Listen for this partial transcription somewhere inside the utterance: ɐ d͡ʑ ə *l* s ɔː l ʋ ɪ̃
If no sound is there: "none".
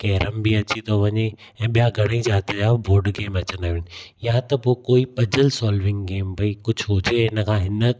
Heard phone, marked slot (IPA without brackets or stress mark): l